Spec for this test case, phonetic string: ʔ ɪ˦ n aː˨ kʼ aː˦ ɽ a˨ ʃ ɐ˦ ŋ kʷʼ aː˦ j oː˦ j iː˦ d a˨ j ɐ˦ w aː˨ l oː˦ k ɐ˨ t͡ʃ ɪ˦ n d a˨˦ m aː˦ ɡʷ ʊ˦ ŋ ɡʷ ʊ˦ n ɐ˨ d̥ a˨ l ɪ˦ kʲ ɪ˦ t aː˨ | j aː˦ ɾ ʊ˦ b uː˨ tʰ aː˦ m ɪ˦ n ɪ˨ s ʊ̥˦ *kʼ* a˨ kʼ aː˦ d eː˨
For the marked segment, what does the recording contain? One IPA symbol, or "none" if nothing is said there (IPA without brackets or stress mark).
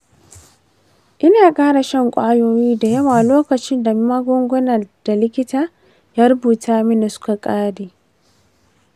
k